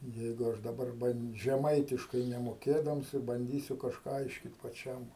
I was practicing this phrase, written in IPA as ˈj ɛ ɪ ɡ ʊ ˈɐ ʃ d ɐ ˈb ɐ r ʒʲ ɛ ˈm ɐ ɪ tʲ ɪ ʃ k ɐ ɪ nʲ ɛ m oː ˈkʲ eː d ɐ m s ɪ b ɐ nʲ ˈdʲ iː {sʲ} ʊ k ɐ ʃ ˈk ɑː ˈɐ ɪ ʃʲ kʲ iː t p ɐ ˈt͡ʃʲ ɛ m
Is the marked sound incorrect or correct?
correct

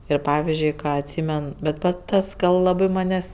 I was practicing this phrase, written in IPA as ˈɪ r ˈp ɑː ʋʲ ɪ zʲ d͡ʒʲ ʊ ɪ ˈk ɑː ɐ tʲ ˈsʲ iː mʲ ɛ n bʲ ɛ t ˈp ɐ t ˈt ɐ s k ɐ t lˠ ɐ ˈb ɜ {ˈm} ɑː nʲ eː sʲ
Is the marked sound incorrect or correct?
correct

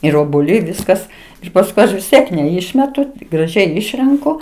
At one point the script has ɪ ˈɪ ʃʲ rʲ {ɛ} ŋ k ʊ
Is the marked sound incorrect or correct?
correct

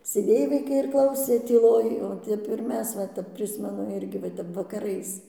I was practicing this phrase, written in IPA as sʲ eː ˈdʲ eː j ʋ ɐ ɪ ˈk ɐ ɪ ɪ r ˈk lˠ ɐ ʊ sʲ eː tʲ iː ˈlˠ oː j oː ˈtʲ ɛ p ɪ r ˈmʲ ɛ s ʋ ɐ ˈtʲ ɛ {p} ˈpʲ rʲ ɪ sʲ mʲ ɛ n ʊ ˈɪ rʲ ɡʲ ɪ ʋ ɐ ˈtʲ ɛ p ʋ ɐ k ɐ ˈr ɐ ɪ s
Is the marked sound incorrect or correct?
correct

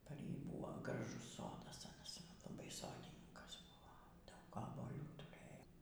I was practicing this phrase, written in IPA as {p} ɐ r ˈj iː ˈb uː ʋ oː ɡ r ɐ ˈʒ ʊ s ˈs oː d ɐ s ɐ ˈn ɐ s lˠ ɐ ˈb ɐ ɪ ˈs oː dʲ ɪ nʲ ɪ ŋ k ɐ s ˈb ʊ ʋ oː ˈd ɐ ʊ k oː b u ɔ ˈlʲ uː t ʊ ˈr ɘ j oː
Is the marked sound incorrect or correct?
correct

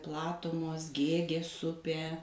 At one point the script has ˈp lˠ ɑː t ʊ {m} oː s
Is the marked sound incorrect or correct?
correct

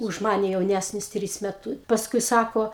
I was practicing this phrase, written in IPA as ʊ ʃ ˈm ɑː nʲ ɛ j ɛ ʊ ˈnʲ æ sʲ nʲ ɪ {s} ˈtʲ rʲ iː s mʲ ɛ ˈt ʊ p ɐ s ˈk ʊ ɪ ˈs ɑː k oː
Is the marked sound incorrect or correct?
correct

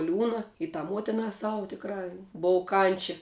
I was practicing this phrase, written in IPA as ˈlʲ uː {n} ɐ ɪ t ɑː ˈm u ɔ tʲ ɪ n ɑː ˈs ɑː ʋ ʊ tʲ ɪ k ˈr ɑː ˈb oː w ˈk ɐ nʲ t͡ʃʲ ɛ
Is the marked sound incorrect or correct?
correct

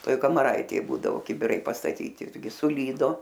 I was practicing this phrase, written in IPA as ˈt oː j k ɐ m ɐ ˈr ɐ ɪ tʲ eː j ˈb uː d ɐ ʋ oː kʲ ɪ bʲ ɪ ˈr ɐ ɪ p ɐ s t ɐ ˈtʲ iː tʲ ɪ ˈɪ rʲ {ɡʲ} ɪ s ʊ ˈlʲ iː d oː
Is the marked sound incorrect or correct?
correct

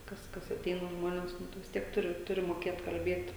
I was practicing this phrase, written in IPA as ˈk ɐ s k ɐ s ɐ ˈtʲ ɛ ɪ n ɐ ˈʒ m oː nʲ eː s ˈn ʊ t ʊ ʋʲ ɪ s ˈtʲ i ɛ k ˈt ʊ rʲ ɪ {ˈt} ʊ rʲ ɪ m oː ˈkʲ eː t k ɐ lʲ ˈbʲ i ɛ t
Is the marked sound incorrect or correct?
correct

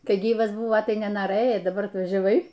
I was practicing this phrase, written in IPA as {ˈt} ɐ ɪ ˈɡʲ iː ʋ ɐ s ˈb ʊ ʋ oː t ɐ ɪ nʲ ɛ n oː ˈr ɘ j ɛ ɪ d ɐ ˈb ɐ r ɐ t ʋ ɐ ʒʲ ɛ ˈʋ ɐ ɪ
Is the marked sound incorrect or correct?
incorrect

